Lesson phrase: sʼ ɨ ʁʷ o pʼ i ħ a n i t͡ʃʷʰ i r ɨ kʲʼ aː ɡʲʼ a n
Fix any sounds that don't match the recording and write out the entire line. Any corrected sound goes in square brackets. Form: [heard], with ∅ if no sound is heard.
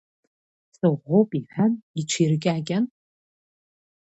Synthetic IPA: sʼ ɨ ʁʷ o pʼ i ħ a n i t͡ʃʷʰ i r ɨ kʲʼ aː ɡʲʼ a n

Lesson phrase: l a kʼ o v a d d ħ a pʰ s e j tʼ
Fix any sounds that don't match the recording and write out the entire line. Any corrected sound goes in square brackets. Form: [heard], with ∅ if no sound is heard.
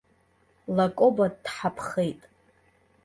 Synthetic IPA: l a kʼ o [b] a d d ħ a pʰ [χ] e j tʼ

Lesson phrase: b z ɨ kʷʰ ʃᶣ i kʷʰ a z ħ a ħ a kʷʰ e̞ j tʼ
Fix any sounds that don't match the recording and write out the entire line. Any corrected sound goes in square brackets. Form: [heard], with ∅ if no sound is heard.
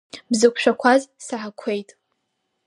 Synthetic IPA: b z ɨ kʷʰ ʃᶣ [a] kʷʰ a z [s] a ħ a kʷʰ e̞ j tʼ

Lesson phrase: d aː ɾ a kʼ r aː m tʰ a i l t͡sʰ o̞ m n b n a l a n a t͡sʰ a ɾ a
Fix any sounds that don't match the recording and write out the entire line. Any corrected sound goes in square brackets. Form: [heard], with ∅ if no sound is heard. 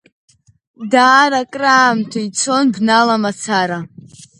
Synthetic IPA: d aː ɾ a kʼ r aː m tʰ a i [∅] t͡sʰ o̞ [∅] n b n a l a [m] a t͡sʰ a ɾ a

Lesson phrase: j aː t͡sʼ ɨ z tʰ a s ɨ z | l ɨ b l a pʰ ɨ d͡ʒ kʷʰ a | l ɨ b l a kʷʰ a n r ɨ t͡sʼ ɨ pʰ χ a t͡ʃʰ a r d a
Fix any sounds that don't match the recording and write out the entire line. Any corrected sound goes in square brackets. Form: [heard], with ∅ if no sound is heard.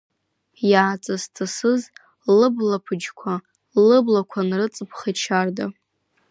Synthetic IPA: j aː t͡sʼ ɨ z tʰ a s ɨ z | l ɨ b l a pʰ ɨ d͡ʒ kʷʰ a | l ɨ b l a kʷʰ a n r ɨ t͡sʼ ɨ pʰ χ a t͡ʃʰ a r d a

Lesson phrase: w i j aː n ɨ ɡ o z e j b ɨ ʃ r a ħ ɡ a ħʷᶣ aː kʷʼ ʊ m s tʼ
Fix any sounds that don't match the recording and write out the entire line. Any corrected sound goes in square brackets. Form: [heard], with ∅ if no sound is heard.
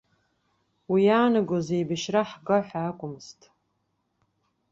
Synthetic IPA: w i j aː n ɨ ɡ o z e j b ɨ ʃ r a ħ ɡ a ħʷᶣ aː kʷʼ ʊ m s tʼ

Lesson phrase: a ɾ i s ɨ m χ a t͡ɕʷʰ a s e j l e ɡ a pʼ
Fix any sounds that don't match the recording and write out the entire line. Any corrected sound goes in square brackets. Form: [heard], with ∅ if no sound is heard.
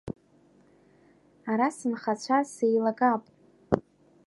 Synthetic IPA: a ɾ [a] s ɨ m χ a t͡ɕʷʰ a s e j l [a] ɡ a pʼ

